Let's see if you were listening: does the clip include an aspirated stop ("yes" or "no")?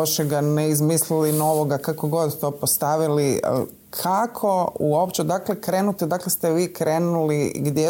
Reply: yes